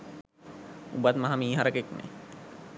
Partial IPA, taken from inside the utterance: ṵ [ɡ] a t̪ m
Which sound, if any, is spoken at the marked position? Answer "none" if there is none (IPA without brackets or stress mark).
b